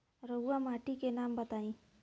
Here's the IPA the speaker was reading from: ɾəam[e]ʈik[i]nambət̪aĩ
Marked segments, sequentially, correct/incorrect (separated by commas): incorrect, incorrect